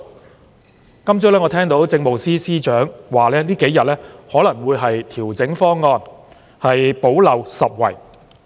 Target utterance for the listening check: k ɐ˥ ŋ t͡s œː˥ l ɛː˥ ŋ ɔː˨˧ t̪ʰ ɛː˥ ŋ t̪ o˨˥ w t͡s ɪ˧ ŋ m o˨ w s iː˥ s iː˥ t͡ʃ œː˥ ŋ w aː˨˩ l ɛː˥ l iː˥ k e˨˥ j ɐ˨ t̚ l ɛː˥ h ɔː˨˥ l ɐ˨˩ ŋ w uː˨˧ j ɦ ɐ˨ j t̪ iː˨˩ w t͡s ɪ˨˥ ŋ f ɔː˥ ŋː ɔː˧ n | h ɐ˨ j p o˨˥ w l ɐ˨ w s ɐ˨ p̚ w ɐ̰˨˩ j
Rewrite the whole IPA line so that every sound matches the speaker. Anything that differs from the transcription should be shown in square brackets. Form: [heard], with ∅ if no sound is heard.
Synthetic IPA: k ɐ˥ [m] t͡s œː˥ l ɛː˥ ŋ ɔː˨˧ t̪ʰ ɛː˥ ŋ t̪ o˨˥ w t͡s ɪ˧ ŋ m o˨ w s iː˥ s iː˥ t͡ʃ [œː˨˥] ŋ w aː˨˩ l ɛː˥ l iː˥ k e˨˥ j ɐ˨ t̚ l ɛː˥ h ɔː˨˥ l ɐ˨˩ ŋ w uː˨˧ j ɦ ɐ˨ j [t̪ʰ] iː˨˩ w t͡s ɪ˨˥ ŋ f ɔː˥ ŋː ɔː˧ n | h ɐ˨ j p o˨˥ w l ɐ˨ w s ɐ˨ p̚ w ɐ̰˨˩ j